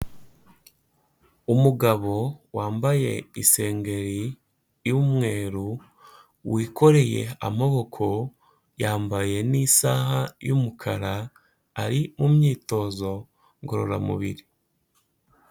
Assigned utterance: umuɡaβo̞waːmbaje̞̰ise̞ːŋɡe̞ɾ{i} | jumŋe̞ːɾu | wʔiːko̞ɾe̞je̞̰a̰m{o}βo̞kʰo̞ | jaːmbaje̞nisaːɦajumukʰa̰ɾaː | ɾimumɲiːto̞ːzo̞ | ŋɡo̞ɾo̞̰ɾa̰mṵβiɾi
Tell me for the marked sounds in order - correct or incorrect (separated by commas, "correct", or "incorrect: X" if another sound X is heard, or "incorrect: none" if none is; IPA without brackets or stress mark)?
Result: correct, correct